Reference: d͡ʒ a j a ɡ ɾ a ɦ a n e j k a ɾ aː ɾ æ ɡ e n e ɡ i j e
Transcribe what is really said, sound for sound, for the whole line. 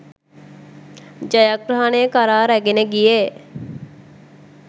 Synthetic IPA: d͡ʒ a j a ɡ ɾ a ɦ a n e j k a ɾ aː ɾ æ ɡ e n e ɡ i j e